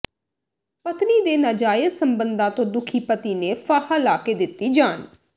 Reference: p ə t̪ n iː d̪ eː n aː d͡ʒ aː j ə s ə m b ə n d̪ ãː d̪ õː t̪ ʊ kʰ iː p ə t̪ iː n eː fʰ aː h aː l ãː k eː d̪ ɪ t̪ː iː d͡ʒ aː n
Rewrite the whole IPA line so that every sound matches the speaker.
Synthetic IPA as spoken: p ə t̪ n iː d̪ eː n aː d͡ʒ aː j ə s ə m b ə n d̪ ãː t̪ õː d̪ ʊ kʰ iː p ə t̪ iː n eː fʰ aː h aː l aː k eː d̪ ɪ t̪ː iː d͡ʒ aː n

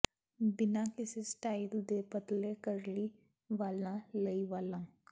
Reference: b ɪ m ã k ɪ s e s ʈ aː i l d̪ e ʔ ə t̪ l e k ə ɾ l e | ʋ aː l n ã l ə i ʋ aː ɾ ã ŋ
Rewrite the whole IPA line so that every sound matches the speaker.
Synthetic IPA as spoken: b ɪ n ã k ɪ s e s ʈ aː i l d̪ e p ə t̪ l e k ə ɾ l i | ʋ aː l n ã l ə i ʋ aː l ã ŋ

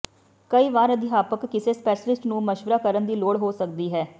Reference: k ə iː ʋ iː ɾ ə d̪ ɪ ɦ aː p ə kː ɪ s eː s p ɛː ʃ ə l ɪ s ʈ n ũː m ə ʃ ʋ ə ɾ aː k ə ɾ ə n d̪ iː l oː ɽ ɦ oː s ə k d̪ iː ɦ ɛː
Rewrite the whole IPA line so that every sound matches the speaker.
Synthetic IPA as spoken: k ə iː ʋ aː ɾ ə d̪ ɪ ɦ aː p ə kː ɪ s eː s p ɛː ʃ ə l ɪ s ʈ n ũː m ə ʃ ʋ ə ɾ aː k ə ɾ ə n d̪ iː l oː ɽ ɦ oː s ə k d̪ iː ɦ ɛː

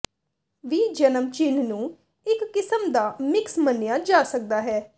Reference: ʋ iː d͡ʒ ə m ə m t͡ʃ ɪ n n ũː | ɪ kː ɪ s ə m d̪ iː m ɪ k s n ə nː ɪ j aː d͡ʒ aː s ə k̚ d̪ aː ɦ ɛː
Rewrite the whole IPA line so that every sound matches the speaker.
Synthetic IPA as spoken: ʋ iː d͡ʒ ə n ə m t͡ʃ ɪ n n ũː | ɪ kː ɪ s ə m d̪ aː m ɪ k s m ə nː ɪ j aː d͡ʒ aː s ə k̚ d̪ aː ɦ ɛː

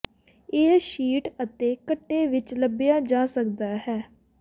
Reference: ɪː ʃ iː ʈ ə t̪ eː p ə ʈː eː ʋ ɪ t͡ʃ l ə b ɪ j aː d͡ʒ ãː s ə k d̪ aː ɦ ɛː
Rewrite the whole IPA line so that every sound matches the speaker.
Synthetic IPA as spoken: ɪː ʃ iː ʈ ə t̪ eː k ə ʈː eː ʋ ɪ t͡ʃ l ə b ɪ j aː d͡ʒ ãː s ə k d̪ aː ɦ ɛː

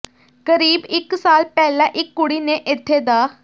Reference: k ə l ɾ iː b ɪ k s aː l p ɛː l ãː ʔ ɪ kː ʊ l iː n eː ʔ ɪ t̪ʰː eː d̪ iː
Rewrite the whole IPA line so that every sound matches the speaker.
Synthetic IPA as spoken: k ə ɾ iː b ɪ k s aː l p ɛː l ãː ʔ ɪ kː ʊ ɽ iː n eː ʔ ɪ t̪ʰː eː d̪ aː

